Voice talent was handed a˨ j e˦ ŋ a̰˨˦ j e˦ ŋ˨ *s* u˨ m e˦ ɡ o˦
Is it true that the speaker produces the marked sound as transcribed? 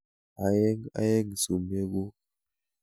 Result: yes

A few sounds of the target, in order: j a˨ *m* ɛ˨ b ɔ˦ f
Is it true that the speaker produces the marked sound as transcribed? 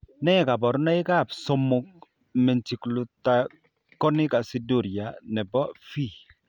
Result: no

